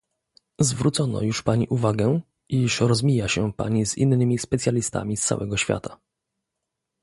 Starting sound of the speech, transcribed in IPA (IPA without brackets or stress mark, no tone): z